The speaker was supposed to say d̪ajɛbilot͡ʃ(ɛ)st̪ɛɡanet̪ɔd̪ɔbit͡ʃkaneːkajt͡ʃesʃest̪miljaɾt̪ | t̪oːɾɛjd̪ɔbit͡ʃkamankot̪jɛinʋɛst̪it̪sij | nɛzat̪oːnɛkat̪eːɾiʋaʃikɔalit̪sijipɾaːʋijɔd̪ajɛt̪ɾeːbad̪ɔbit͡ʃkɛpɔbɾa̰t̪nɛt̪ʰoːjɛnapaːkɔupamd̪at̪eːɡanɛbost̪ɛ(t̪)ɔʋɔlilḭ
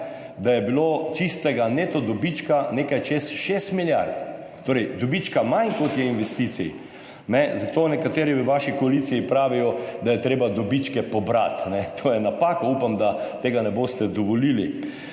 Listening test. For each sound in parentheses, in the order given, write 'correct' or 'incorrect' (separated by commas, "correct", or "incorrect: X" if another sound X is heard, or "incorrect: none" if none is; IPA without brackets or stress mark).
incorrect: i, incorrect: d̪